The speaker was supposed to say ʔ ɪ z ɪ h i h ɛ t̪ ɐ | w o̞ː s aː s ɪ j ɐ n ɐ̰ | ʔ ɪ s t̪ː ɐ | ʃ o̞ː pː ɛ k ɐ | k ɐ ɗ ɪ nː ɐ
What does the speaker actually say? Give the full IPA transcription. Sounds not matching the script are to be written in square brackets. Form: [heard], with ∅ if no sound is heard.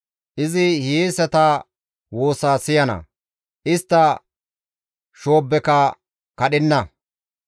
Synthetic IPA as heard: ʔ ɪ z ɪ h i [s] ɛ t̪ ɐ | w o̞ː s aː s ɪ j ɐ n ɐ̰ | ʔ ɪ s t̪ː ɐ | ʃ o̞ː [bː] ɛ k ɐ | k ɐ ɗ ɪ nː ɐ